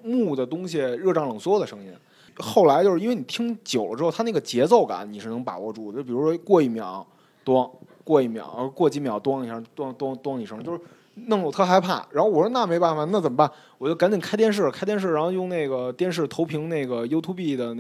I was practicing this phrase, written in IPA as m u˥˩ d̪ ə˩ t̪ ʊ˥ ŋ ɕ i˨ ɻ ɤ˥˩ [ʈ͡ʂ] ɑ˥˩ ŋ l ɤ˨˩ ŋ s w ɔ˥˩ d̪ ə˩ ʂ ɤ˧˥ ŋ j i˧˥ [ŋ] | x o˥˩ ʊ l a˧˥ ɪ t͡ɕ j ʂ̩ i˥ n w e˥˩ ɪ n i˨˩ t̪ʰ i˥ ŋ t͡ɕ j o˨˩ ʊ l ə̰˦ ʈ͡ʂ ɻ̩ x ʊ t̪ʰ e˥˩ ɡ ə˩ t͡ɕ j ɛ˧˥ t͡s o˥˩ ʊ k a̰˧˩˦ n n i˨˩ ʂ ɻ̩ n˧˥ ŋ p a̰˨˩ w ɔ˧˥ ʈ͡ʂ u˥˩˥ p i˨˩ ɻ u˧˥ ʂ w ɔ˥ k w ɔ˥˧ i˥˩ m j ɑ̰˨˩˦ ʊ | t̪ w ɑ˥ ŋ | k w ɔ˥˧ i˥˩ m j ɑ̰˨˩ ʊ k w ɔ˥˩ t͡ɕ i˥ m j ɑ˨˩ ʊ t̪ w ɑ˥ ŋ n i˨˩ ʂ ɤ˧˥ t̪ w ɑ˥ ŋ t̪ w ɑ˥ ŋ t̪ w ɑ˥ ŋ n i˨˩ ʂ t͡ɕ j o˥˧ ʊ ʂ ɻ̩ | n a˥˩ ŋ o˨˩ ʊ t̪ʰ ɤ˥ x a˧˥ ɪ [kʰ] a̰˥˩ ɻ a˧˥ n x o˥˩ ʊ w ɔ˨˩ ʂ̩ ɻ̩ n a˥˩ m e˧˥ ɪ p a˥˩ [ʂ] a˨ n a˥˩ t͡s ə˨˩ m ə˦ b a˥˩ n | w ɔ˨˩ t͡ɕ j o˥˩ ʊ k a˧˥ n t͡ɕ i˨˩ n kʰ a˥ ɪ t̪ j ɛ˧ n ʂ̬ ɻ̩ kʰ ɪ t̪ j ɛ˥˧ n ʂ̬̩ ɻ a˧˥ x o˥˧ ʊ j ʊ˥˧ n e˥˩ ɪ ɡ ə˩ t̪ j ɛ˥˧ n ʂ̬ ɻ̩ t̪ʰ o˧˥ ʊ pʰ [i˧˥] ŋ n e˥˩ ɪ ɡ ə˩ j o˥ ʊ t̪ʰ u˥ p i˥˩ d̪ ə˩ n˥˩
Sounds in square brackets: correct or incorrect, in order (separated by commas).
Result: correct, incorrect, incorrect, incorrect, correct